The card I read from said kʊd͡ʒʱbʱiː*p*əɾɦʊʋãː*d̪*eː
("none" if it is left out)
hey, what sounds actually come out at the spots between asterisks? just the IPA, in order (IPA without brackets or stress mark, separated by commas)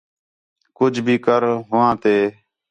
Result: k, t̪